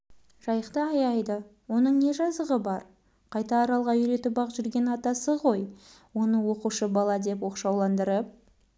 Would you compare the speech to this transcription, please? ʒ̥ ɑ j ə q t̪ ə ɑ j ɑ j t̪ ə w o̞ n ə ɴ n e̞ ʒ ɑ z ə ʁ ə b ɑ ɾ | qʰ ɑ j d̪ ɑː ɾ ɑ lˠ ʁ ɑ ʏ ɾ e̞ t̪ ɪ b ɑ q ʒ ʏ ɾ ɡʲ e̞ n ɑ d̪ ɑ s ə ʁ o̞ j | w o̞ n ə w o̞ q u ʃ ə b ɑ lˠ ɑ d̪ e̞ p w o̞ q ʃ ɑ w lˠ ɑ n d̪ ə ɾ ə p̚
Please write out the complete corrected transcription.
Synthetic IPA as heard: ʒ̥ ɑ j ə q t̪ ə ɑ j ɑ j d̪ ə w o̞ n ə ɴ n e̞ ʒ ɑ z ə ʁ ə b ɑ ɾ | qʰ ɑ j t̪ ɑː ɾ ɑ lˠ ʁ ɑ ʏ ɾ e̞ t̪ ɪ b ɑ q ʒ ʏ ɾ ɡʲ e̞ n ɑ t̪ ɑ s ə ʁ o̞ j | w o̞ n ə w o̞ q u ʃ ə b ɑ lˠ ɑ d̪ e̞ p w o̞ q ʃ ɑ w lˠ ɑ n d̪ ə ɾ ə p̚

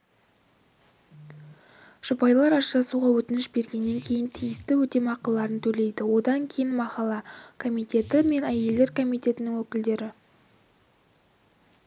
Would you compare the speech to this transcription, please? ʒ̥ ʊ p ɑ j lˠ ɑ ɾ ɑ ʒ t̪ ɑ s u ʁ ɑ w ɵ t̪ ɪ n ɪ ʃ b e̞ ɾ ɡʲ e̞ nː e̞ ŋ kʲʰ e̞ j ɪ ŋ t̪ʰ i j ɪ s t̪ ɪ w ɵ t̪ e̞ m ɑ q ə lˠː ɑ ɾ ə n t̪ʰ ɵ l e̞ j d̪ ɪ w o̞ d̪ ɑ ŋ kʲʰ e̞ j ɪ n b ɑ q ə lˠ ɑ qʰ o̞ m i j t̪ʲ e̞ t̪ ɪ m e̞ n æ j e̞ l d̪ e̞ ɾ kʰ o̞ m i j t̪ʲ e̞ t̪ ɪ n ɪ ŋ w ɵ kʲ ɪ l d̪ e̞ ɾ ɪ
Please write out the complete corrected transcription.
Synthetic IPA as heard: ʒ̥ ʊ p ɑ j lˠ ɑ ɾ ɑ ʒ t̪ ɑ s u ʁ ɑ w ɵ t̪ ɪ n ɪ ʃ b e̞ ɾ ɡʲ e̞ nː e̞ ŋ kʲʰ e̞ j ɪ n t̪ʰ i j ɪ s t̪ ɪ w ɵ t̪ e̞ m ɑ q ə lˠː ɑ ɾ ə n t̪ʰ ɵ l e̞ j d̪ ɪ w o̞ d̪ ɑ ŋ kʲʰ e̞ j ɪ n m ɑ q ɑ lˠ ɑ kʰ o̞ m i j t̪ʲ e̞ t̪ ɪ m e̞ n æ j e̞ l d̪ e̞ ɾ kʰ o̞ m i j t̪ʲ e̞ t̪ ɪ n ɪ ŋ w ɵ kʲ ɪ l d̪ e̞ ɾ ɪ

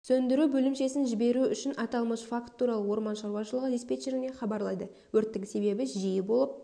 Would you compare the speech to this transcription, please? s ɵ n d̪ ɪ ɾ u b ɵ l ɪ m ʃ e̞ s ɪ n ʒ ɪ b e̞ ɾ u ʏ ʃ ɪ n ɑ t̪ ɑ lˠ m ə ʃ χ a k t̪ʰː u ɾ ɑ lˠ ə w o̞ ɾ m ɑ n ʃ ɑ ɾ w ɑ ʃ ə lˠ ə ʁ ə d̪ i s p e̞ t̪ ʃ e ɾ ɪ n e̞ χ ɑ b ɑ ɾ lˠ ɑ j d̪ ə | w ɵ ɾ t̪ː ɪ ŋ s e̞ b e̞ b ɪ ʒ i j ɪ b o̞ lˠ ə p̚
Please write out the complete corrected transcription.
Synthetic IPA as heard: s ɵ n d̪ ɪ ɾ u b ɵ l ɪ m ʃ e̞ s ɪ n ʒ ɪ b e̞ ɾ u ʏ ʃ ɪ n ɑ t̪ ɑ lˠ m ə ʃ f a k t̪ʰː u ɾ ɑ lˠ ə w o̞ ɾ m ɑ n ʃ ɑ ɾ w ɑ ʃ ə lˠ ə ʁ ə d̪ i s p e̞ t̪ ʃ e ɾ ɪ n e̞ χ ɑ b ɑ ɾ lˠ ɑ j d̪ ə | w ɵ ɾ t̪ː ɪ ŋ s e̞ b e̞ b ɪ ʒ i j ɪ b o̞ lˠ ə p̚

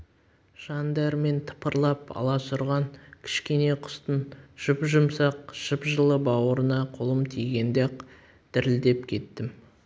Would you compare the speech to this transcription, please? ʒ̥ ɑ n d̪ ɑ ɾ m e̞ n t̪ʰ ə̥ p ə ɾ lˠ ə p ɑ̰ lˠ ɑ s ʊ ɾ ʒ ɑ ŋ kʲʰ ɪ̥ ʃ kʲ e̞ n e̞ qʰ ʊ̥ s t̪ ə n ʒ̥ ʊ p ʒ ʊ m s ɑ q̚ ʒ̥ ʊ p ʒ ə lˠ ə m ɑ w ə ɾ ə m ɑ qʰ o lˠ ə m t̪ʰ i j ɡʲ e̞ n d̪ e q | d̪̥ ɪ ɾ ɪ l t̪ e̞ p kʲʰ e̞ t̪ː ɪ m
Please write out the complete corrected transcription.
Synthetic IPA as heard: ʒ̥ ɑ n d̪ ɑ ɾ m e̞ n t̪ʰ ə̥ p ə ɾ lˠ ɑ p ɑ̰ lˠ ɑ s ʊ ɾ ʁ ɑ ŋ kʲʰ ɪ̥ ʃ kʲ e̞ n e̞ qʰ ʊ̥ s t̪ ə n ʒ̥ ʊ p ʒ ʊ m s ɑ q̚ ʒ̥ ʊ p ʒ ə lˠ ə b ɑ w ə ɾ ə n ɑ qʰ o lˠ ə m t̪ʰ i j ɡʲ e̞ n d̪ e q | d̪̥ ɪ ɾ ɪ l d̪ e̞ p kʲʰ e̞ t̪ː ɪ m

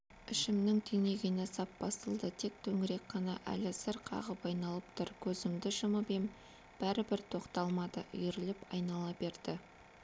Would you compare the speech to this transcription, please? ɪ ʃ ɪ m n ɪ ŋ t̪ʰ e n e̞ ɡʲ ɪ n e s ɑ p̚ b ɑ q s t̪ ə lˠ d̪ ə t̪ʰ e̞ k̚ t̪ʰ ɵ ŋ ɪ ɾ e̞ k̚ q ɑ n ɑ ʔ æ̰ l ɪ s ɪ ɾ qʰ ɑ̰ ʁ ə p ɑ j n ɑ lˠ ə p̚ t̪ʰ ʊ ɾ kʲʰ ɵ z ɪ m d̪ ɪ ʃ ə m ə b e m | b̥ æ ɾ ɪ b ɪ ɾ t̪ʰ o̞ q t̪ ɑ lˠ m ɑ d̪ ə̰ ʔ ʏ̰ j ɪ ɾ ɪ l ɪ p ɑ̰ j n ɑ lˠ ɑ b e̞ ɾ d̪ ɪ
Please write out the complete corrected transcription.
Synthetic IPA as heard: ɪ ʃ ɪ m n ɪ ŋ t̪ʰ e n e̞ ɡʲ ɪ n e s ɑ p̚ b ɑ s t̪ ə lˠ d̪ ə t̪ʰ e̞ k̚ t̪ʰ ɵ ŋ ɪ ɾ e̞ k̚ q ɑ n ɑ ʔ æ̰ l ɪ s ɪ ɾ qʰ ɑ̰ ʁ ə p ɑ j n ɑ lˠ ə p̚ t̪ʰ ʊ ɾ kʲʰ ɵ z ɪ m d̪ ɪ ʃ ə m ə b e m | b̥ æ ɾ ɪ b ɪ ɾ t̪ʰ o̞ q t̪ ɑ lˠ m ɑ d̪ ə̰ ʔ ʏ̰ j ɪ ɾ ɪ l ɪ p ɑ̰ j n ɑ lˠ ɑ b e̞ ɾ d̪ ɪ

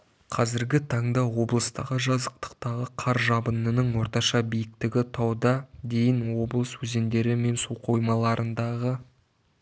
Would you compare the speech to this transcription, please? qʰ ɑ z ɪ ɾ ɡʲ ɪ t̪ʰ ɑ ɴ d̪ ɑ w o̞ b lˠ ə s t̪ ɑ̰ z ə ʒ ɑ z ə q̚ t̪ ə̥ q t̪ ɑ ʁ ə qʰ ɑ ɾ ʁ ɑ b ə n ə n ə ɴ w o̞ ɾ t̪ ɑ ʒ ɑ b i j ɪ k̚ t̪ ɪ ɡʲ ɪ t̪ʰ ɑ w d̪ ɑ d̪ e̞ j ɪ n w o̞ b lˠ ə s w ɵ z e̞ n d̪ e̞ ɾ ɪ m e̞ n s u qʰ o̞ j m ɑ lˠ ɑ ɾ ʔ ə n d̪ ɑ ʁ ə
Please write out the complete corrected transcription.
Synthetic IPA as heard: qʰ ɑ z ɪ ɾ ɡʲ ɪ t̪ʰ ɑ ɴ d̪ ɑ w o̞ b lˠ ə s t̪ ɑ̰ ʁ ə ʒ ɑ z ə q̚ t̪ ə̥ q t̪ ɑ ʁ ə qʰ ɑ ɾ ʒ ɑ b ə n ə n ə ɴ w o̞ ɾ t̪ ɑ ʃ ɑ b i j ɪ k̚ t̪ ɪ ɡʲ ɪ t̪ʰ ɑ w d̪ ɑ d̪ e̞ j ɪ n w o̞ b lˠ ə s w ɵ z e̞ n d̪ e̞ ɾ ɪ m e̞ n s u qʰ o̞ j m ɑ lˠ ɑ ɾ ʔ ə n d̪ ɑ ʁ ə

